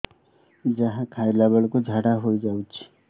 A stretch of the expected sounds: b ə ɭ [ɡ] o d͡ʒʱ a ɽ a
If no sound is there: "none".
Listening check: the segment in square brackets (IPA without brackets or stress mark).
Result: k